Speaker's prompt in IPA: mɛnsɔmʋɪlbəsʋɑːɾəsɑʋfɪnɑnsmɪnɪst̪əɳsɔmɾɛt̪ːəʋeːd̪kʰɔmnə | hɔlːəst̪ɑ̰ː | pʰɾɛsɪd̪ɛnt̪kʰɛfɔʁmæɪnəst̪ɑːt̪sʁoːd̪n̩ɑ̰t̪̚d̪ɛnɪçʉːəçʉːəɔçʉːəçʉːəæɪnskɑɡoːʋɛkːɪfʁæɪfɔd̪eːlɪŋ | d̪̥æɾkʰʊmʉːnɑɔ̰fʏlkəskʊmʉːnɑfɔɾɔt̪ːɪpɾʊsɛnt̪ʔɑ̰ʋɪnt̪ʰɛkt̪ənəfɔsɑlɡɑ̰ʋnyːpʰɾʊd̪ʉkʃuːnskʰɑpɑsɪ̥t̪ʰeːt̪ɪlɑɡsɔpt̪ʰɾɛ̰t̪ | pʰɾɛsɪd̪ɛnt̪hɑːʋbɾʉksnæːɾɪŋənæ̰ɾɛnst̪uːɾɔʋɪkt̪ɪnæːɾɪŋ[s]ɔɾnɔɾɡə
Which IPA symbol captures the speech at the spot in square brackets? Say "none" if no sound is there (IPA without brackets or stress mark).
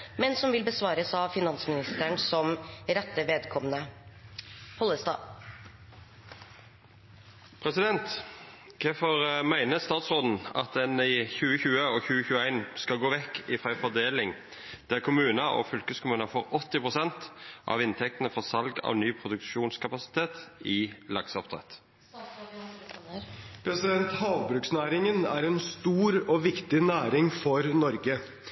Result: f